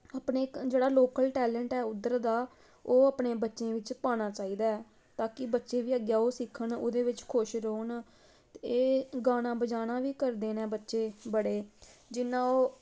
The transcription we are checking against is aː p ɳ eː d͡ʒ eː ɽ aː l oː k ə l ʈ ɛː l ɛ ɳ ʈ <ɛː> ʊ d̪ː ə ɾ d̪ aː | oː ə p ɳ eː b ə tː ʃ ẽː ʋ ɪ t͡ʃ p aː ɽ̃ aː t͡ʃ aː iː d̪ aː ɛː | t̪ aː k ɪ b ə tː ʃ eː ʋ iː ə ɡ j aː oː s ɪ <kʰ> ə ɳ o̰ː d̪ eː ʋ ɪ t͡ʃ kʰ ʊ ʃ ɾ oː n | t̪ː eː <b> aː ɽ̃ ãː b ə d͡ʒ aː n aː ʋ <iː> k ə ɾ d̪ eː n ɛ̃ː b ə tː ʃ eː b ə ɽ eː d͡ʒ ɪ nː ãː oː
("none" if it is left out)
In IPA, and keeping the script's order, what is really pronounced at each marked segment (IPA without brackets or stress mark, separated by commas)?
ɛː, kʰ, ɡ, iː